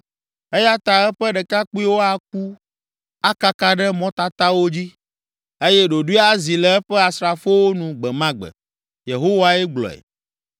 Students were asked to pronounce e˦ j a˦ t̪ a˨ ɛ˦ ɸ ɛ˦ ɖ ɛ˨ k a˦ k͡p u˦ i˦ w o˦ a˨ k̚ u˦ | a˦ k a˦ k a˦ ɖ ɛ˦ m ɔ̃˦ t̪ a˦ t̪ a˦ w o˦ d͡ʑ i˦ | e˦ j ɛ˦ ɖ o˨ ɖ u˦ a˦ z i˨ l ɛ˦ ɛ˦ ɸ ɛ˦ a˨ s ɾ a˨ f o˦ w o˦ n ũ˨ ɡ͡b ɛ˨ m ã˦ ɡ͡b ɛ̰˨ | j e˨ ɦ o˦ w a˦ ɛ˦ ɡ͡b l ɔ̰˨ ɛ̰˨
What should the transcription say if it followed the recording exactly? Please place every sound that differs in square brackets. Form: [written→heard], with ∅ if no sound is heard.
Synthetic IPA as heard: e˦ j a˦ t̪ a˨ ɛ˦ ɸ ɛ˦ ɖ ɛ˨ k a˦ k͡p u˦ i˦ w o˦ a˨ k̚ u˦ | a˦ k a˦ k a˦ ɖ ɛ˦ m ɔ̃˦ t̪ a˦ t̪ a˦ w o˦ d͡ʑ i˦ | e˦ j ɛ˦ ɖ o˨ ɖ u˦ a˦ z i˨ l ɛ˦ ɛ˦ ɸ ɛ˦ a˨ s ɾ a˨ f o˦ w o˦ n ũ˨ ɡ͡b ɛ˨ m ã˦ ɡ͡b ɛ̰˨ | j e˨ ɦ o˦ w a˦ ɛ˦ ɡ͡b l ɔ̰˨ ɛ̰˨